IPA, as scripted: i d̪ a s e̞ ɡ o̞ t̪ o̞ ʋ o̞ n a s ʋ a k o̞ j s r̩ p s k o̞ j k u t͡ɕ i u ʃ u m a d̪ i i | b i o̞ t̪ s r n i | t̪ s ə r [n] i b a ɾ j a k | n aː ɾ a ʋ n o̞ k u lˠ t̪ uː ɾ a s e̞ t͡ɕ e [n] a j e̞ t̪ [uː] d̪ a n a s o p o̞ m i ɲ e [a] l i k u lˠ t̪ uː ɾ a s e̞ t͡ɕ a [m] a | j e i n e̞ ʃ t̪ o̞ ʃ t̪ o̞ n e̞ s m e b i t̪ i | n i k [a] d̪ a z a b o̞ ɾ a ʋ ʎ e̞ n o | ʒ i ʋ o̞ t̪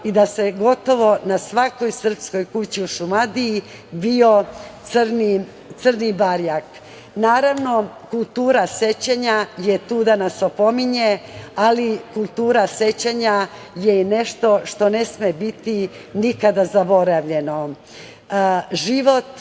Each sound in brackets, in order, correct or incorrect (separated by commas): correct, incorrect, correct, correct, incorrect, correct